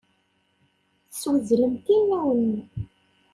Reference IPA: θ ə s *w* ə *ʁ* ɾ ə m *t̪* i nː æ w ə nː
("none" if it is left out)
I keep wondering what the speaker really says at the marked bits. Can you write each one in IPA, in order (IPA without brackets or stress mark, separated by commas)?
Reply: w, z, t̪